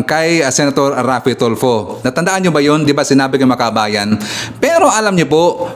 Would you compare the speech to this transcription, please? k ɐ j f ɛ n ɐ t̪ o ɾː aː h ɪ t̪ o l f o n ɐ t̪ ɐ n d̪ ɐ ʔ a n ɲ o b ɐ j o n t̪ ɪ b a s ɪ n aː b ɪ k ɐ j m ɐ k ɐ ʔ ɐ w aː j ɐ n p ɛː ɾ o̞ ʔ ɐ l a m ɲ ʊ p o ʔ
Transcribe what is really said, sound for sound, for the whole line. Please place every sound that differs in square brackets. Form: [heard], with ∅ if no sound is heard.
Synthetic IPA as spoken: k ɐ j [s] ɛ n ɐ t̪ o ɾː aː [f] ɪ t̪ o l f o n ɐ t̪ ɐ n d̪ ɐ ʔ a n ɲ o b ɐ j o n [d̪] ɪ b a s ɪ n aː b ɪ k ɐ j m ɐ k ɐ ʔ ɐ [b] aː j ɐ n p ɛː ɾ o̞ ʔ ɐ l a m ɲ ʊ p o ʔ